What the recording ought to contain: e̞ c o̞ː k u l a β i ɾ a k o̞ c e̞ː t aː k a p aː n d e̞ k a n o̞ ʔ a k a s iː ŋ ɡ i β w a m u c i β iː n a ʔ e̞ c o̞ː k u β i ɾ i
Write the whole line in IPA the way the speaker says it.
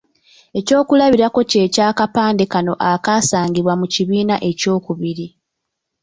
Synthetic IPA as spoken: e̞ c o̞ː k u l a β i ɾ a k o̞ c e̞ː c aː k a p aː n d e̞ k a n o̞ ʔ a k a s aː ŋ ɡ i β w a m u c i β iː n a ʔ e̞ c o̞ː k u β i ɾ i